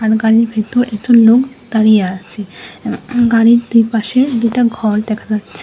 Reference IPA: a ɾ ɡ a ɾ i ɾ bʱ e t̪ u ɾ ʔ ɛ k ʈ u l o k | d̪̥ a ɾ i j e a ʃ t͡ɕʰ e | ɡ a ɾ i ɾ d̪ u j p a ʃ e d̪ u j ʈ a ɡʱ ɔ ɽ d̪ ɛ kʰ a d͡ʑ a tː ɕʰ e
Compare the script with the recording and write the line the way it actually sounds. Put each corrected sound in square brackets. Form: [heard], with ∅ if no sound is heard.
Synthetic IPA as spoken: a ɾ ɡ a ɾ i ɾ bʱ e t̪ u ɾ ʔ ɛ k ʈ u l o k | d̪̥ a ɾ i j e a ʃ t͡ɕʰ e | ɡ a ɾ i ɾ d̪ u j p a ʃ e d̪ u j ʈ a ɡʱ ɔ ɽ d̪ ɛ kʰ a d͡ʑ a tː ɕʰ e